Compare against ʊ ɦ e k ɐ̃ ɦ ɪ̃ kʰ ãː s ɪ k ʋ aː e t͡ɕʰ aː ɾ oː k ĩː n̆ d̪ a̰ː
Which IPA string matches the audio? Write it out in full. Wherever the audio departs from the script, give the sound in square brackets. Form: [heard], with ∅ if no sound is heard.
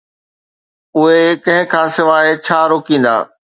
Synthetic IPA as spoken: ʊ ɦ e k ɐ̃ ɦ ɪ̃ kʰ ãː s ɪ [∅] ʋ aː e t͡ɕʰ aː ɾ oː k ĩː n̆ d̪ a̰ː